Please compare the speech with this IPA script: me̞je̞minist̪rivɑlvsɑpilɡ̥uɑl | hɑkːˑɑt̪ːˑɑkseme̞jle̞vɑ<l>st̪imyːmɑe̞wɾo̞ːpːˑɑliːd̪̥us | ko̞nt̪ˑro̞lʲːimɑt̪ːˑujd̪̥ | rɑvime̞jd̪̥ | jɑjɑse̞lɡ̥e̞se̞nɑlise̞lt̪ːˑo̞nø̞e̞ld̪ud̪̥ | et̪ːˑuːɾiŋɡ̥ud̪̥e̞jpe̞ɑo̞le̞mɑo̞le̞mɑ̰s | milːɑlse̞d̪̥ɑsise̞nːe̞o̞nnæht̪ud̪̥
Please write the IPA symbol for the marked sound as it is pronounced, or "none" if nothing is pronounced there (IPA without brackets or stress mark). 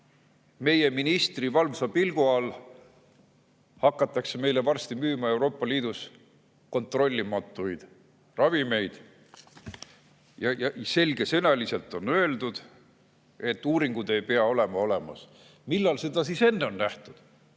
r